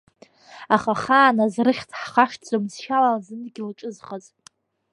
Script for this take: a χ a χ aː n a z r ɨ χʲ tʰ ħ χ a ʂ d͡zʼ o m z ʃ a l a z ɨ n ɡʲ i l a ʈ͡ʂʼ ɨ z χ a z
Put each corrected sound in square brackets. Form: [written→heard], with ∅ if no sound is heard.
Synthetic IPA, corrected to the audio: a χ a χ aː n a z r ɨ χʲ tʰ ħ χ a ʂ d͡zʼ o m z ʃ a l a z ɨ n ɡʲ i l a ʈ͡ʂʼ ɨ z χ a z